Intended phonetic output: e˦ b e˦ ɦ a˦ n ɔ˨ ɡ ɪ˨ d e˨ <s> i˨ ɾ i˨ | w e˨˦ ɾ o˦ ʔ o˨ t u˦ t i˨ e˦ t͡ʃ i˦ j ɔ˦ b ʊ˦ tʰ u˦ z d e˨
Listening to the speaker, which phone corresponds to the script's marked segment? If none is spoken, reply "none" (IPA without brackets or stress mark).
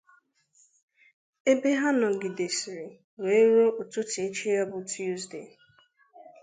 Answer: s